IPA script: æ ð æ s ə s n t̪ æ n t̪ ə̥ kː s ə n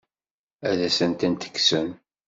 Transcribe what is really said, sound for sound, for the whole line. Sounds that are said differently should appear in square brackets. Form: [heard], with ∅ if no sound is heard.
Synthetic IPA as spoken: æ ð æ s ə [∅] n t̪ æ n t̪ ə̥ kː s ə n